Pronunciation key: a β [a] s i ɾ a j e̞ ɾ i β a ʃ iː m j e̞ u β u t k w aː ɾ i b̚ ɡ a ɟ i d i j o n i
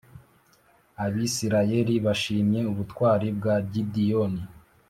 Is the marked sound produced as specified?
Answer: no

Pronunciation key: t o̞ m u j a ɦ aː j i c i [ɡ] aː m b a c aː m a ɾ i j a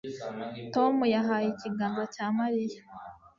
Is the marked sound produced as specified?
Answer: yes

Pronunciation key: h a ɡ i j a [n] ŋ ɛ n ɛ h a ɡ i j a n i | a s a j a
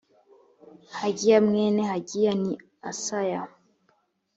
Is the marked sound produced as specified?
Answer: no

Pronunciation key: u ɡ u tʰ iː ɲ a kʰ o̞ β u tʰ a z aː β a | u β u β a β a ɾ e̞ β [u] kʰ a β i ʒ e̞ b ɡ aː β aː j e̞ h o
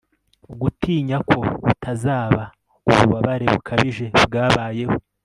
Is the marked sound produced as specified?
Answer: yes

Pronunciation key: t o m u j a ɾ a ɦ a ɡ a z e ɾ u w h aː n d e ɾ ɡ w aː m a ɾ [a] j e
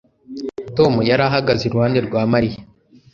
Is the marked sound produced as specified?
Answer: no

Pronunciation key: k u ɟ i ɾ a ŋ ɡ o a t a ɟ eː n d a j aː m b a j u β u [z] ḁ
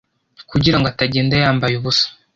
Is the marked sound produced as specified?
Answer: no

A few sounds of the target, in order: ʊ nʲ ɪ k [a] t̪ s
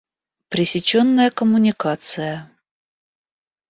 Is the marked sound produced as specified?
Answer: yes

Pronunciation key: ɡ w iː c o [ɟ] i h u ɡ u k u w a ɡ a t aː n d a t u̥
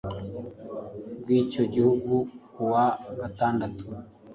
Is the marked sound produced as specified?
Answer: yes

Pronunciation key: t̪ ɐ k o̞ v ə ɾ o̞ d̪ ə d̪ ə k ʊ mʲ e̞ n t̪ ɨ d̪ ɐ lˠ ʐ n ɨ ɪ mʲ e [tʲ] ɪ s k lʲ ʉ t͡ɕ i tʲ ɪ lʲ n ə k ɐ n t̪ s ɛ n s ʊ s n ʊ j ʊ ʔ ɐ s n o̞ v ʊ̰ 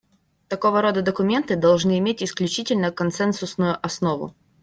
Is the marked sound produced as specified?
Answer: yes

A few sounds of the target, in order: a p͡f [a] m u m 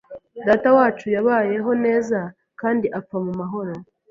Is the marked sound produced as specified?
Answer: yes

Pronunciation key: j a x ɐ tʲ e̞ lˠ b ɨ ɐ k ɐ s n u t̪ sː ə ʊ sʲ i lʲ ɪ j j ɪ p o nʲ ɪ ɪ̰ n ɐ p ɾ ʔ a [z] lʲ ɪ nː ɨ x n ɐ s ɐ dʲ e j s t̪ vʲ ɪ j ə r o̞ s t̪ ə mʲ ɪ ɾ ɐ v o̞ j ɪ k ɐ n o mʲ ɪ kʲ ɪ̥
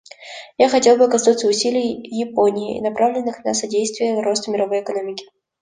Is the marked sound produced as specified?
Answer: no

